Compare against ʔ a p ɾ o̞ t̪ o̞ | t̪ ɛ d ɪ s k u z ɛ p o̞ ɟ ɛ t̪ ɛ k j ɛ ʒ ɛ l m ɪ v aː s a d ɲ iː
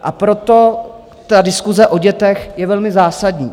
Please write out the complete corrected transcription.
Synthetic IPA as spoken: ʔ a p ɾ o̞ t̪ o̞ | t̪ a d ɪ s k u z ɛ ʔ o̞ ɟ ɛ t̪ ɛ x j ɛ v ɛ l m ɪ z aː s a d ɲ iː